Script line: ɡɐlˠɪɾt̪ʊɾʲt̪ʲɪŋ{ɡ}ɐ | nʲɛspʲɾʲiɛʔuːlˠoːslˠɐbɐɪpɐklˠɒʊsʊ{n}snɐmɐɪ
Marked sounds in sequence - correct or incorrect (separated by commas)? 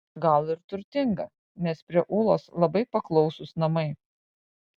correct, incorrect